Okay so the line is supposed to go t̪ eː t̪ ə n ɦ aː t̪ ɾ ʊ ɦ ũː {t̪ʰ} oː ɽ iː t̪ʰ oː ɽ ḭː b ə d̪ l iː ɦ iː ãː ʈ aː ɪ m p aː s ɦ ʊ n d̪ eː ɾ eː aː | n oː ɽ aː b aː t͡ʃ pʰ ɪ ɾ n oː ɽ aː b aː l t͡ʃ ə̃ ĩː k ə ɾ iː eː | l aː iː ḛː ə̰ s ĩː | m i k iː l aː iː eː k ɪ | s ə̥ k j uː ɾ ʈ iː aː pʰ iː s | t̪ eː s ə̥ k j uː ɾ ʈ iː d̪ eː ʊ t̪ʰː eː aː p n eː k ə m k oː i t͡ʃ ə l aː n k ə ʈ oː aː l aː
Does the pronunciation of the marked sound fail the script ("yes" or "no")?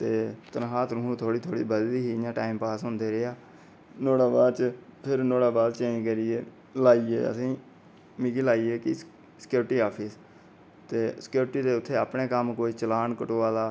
no